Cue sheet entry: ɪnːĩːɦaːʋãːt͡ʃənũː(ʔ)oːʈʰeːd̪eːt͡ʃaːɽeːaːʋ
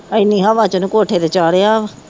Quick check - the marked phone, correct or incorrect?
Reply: incorrect